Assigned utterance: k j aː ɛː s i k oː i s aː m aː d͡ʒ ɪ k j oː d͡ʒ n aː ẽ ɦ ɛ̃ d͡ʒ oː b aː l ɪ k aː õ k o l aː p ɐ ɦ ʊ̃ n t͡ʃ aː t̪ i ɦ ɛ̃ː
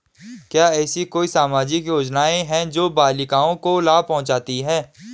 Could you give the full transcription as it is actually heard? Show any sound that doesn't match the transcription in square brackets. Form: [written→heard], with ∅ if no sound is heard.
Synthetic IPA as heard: k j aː ɛː s i k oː i s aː m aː d͡ʒ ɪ k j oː d͡ʒ n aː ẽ ɦ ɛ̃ d͡ʒ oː b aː l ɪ k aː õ k o l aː p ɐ ɦ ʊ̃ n t͡ʃ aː t̪ i ɦ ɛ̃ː